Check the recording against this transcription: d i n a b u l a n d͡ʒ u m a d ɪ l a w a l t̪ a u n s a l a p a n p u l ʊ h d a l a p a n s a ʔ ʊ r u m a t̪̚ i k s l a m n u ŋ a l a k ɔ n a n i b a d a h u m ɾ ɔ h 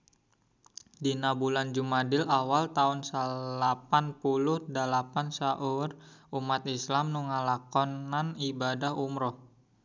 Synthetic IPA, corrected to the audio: d i n a b u l a n d͡ʒ u m a d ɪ l a w a l t̪ a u n s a l a p a n p u l ʊ h d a l a p a n s a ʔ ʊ r u m a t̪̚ i s l a m n u ŋ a l a k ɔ n a n i b a d a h u m ɾ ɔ h